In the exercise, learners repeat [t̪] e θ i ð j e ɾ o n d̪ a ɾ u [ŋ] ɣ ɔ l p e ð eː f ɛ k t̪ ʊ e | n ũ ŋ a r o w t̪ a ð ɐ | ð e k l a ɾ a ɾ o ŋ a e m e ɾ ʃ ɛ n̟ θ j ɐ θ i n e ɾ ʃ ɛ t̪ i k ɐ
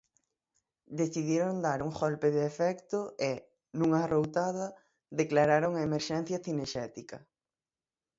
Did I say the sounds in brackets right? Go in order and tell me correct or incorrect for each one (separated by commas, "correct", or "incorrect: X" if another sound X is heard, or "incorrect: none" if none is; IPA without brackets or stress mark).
incorrect: d̪, correct